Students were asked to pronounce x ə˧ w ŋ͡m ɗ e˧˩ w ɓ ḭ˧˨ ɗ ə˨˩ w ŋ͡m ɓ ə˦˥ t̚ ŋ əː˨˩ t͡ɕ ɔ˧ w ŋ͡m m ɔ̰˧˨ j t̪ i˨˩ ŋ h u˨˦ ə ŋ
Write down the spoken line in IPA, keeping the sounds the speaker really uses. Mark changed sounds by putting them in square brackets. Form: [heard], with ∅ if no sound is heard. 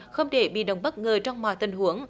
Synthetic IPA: x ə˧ w ŋ͡m ɗ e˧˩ [∅] ɓ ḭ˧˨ ɗ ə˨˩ w ŋ͡m ɓ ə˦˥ t̚ ŋ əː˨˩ t͡ɕ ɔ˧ w ŋ͡m m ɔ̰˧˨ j t̪ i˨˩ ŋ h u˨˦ ə ŋ

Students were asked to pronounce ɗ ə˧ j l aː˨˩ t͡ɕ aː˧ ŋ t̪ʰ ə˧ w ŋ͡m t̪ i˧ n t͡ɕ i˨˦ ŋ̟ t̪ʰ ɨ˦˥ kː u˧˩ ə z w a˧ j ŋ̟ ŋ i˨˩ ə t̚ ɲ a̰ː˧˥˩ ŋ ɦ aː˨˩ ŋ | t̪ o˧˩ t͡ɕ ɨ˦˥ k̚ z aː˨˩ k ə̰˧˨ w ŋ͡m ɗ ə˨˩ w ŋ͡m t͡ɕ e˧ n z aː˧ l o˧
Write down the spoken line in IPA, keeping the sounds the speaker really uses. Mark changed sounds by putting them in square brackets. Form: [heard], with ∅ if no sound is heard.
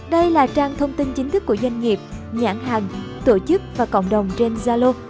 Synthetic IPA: ɗ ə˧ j l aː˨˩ t͡ɕ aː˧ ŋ t̪ʰ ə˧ w ŋ͡m t̪ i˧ n t͡ɕ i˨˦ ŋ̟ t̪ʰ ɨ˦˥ kː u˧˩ ə z w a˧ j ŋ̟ ŋ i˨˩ ə [p̚] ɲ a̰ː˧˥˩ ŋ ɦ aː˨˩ ŋ | t̪ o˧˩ t͡ɕ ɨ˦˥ k̚ [v] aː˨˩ k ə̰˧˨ w ŋ͡m ɗ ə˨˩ w ŋ͡m t͡ɕ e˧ n z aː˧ l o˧

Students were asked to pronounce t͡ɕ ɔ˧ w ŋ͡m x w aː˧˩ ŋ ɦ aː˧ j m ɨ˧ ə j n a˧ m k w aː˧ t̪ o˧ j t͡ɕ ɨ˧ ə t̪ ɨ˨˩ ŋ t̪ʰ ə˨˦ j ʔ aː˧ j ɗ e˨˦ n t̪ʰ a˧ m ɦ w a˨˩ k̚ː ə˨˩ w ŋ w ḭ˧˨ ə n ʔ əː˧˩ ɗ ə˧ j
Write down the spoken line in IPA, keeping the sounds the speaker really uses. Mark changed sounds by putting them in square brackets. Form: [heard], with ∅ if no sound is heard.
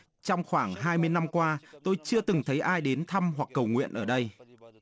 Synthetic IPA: t͡ɕ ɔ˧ w ŋ͡m x w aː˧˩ ŋ ɦ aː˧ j m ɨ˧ ə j n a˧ m k w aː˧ t̪ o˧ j t͡ɕ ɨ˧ ə t̪ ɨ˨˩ ŋ t̪ʰ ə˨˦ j ʔ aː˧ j ɗ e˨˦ n t̪ʰ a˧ m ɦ w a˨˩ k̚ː ə˨˩ w ŋ w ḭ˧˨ ə n ʔ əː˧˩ ɗ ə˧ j

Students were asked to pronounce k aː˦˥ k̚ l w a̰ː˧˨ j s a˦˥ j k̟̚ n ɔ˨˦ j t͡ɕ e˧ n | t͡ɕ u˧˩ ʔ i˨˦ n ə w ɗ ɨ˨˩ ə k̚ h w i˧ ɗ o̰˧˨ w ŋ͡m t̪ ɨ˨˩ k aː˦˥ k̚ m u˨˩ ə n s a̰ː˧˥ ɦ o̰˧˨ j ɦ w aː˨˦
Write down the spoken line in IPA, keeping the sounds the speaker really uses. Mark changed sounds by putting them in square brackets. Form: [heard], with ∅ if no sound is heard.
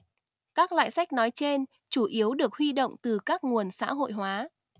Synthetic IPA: k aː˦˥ k̚ l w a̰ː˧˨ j s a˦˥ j k̟̚ n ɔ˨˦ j t͡ɕ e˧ n | t͡ɕ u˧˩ ʔ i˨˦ [∅] ə w ɗ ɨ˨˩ ə k̚ h w i˧ ɗ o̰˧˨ w ŋ͡m t̪ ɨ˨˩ k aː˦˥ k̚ [ŋ] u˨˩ ə n s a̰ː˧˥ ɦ o̰˧˨ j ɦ w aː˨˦

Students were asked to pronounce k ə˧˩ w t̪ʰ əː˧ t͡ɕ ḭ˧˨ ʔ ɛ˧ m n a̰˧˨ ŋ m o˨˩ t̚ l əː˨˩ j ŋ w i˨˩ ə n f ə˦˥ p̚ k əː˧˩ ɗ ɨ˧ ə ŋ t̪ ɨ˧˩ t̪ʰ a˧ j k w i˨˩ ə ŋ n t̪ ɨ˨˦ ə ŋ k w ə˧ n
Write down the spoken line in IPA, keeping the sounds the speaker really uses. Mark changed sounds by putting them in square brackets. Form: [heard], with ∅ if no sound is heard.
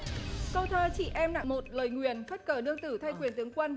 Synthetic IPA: k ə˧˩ w t̪ʰ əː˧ t͡ɕ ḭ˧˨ ʔ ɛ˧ m n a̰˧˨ ŋ m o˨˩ t̚ l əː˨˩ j ŋ w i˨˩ ə n f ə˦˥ [t̚] k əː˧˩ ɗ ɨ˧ ə ŋ t̪ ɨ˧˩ t̪ʰ a˧ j k w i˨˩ ə [∅] n t̪ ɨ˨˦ ə ŋ k w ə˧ n

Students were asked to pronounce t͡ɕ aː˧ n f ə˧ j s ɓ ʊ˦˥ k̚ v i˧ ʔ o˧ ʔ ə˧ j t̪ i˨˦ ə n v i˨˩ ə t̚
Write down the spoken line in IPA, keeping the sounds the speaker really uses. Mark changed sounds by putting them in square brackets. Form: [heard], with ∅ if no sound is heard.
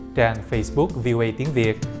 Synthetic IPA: t͡ɕ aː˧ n f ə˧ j s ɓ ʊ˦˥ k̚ v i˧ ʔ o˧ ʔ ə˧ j t̪ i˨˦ ə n v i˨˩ ə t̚

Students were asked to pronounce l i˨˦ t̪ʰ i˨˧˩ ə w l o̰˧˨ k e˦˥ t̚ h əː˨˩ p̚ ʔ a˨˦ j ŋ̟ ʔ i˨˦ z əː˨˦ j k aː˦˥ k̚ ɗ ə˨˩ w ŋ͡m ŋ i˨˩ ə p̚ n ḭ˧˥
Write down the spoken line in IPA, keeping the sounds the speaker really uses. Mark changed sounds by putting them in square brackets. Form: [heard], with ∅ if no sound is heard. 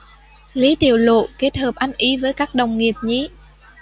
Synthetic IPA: l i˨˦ [t̪] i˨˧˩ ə w l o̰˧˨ k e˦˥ t̚ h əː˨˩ p̚ ʔ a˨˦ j ŋ̟ ʔ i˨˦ [v] əː˨˦ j k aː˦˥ k̚ ɗ ə˨˩ w ŋ͡m ŋ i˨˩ ə p̚ [ɲ] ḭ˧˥

